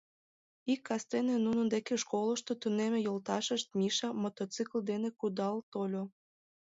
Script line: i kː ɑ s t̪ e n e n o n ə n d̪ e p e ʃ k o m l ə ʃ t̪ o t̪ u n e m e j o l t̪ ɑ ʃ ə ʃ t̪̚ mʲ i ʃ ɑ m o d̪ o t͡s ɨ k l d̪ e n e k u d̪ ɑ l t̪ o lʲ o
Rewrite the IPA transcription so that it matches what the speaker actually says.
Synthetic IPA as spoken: i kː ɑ s t̪ e n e n u n ə n d̪ e k e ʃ k o l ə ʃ t̪ o t̪ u n e m e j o l t̪ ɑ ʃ ə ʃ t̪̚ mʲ i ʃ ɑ m o t̪ o t͡s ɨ k l d̪ e n e k u d̪ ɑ l t̪ o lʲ o